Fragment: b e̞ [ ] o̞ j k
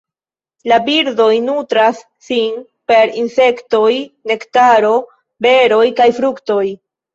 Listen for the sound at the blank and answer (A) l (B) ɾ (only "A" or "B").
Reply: B